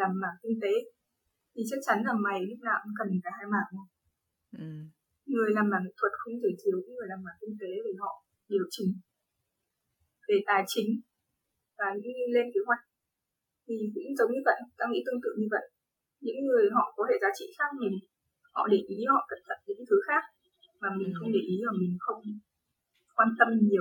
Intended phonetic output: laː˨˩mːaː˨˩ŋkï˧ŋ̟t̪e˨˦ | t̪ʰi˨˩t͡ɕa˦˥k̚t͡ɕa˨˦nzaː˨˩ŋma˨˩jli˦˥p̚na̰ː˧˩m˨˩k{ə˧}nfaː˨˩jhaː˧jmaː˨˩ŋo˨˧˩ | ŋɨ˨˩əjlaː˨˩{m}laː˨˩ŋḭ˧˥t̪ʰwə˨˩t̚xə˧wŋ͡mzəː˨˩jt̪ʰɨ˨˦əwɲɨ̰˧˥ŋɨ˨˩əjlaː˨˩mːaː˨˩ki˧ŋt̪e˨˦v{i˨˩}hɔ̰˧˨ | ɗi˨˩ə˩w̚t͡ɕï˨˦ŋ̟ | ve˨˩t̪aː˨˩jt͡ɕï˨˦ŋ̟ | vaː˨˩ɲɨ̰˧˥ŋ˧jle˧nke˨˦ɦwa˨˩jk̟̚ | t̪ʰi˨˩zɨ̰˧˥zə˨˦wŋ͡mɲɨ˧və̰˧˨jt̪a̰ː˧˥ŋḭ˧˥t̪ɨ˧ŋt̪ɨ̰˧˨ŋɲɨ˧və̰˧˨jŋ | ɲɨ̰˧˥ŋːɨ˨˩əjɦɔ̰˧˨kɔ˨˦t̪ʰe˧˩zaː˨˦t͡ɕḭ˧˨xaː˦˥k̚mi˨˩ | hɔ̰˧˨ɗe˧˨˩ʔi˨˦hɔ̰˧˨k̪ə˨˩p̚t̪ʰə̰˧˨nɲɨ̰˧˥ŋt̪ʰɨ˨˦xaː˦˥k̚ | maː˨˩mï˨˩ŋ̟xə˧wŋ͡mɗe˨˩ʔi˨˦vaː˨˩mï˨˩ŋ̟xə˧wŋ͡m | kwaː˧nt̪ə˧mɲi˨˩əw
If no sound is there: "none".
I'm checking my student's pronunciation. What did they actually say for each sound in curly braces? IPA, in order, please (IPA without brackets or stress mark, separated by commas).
ə˨˩, m, e˨˩